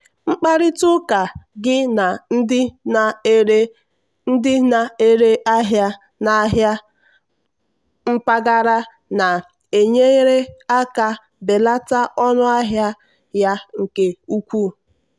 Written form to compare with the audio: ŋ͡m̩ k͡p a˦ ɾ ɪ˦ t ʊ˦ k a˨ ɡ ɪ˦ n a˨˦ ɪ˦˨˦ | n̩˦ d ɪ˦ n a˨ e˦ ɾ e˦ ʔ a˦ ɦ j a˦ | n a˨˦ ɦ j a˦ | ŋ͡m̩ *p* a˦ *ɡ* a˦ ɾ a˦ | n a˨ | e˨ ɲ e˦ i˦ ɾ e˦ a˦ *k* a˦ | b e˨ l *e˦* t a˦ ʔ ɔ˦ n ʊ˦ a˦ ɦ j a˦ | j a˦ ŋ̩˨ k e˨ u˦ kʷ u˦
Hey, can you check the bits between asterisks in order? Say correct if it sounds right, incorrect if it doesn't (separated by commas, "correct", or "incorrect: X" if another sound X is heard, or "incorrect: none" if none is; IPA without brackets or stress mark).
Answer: correct, correct, correct, incorrect: a˦